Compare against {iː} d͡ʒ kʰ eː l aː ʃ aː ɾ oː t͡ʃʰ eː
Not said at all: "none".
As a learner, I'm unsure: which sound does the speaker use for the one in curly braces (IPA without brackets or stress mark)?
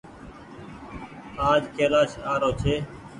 aː